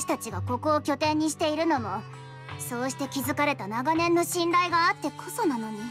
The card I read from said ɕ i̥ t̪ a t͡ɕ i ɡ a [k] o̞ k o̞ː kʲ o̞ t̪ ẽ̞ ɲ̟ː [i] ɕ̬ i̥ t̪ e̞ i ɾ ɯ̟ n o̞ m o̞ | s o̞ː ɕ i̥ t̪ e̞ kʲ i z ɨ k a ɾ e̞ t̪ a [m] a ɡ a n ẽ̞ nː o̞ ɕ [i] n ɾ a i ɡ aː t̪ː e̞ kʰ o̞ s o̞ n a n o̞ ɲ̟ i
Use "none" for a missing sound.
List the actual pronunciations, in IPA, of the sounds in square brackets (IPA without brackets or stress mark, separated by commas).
k, i, n, ĩ